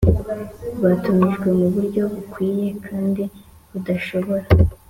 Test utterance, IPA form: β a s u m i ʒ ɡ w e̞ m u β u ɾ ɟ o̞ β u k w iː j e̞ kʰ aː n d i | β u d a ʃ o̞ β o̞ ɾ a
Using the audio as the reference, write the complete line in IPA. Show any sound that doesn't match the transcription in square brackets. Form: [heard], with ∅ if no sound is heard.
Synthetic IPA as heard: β a [t] u m i ʒ ɡ w e̞ m u β u ɾ ɟ o̞ β u k w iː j e̞ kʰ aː n d i | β u d a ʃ o̞ β o̞ ɾ a

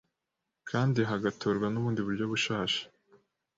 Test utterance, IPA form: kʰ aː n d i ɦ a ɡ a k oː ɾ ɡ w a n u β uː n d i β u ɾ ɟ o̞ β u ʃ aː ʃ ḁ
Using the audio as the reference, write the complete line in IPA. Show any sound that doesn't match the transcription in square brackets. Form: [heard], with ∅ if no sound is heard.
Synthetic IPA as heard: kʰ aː n d i ɦ a ɡ a [t] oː ɾ ɡ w a n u β uː n d i β u ɾ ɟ o̞ β u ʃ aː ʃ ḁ

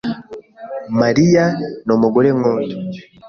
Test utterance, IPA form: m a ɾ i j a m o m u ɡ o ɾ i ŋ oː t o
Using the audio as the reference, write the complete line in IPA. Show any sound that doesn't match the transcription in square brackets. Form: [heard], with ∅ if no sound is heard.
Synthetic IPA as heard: m a ɾ i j a [n] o m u ɡ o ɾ [e] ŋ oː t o

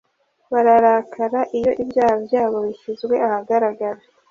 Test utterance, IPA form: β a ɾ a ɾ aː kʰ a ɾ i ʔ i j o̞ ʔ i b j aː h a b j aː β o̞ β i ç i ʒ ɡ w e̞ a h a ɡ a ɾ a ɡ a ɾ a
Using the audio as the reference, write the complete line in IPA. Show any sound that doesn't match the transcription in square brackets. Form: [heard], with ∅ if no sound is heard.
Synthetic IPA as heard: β a ɾ a ɾ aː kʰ a ɾ [a] ʔ i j o̞ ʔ i b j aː h a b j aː β o̞ β i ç i [z] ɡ w e̞ a h a ɡ a ɾ a ɡ a ɾ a

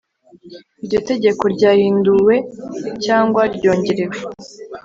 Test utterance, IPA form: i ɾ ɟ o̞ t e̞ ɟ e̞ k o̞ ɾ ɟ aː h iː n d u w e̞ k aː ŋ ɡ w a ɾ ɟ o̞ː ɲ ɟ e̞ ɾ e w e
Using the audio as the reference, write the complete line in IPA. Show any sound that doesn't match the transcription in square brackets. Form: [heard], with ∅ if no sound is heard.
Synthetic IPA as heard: i ɾ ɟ o̞ t e̞ ɟ e̞ k o̞ ɾ ɟ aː h iː n d u w e̞ [c] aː ŋ ɡ w a ɾ ɟ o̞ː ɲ ɟ e̞ ɾ e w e

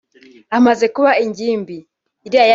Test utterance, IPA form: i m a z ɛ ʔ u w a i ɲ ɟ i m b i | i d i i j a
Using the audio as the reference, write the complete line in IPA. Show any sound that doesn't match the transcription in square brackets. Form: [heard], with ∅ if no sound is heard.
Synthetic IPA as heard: [a] m a z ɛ [k] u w a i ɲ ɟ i m b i | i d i [a] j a

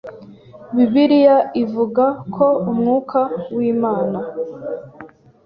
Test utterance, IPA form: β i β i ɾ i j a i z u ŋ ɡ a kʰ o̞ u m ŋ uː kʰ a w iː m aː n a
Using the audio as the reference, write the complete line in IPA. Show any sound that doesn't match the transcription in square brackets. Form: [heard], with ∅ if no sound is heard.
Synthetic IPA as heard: β i β i ɾ i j a i [v] u [∅] ɡ a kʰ o̞ u m ŋ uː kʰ a w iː m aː n a

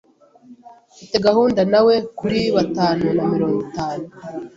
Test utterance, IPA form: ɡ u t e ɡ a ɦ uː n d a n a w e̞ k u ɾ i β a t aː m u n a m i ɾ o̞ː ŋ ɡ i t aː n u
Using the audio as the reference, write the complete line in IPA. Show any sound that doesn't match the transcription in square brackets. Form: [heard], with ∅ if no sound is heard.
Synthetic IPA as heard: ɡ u t e ɡ a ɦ uː n d a n a w e̞ k u ɾ i β a t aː [n] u n a m i ɾ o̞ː ŋ ɡ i t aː n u

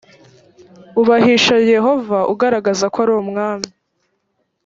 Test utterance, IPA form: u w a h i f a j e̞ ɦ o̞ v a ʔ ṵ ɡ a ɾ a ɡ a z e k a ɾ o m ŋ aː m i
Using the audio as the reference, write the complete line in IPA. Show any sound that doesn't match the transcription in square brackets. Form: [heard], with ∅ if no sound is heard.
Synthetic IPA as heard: u [β] a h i [ʃ] a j e̞ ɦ o̞ v a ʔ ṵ ɡ a ɾ a ɡ a z [a] k a ɾ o m ŋ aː m i

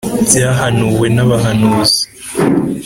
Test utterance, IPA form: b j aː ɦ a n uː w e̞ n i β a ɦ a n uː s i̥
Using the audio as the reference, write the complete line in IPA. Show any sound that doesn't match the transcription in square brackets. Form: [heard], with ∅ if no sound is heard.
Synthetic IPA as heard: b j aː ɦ a n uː w e̞ n [a] β a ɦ a n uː [z] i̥

